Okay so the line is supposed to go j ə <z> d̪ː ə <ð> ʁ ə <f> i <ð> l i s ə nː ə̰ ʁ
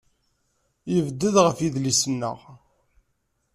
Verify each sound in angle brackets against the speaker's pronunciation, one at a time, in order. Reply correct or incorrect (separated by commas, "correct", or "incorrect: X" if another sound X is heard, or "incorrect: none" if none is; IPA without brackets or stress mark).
incorrect: v, correct, correct, correct